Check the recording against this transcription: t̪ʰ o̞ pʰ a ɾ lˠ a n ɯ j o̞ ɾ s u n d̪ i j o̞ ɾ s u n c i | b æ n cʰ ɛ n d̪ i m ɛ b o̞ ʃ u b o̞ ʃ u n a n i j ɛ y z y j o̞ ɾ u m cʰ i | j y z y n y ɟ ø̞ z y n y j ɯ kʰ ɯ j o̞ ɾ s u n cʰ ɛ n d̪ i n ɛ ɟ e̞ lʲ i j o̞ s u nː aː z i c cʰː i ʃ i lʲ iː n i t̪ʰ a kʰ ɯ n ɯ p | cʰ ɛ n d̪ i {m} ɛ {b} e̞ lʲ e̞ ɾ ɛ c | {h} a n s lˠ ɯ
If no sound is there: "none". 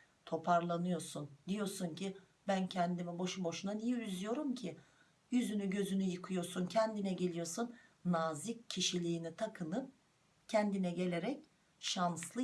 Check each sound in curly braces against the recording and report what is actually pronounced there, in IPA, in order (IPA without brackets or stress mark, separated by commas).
n, ɟ, ʃ